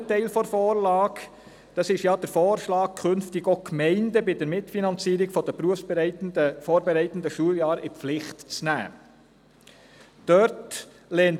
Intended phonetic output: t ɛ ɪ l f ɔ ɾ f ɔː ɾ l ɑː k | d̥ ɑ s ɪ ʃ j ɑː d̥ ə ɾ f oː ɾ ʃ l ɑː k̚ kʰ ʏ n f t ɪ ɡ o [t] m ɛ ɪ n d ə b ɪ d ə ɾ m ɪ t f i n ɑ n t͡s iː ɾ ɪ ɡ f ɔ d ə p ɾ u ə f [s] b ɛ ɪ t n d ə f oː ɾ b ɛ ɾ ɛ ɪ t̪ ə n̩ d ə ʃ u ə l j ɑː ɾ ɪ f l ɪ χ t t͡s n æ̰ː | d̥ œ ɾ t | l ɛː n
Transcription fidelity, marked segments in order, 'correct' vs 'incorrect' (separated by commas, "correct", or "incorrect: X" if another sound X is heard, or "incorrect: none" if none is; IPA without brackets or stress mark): incorrect: k, correct